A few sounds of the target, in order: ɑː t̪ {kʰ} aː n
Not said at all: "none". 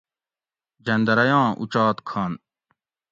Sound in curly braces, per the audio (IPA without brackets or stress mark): kʰ